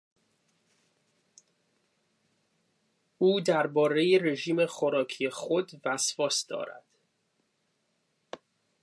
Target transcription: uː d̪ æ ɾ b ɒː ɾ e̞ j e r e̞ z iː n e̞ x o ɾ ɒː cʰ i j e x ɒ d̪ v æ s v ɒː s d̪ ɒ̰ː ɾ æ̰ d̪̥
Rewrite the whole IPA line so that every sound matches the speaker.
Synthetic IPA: uː d̪ æ ɾ b ɒː ɾ e̞ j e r e̞ ʒ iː m e̞ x o ɾ ɒː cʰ i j e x o d̪ v æ s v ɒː s d̪ ɒ̰ː ɾ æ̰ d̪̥